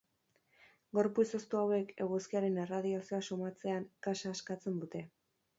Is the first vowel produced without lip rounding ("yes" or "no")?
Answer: no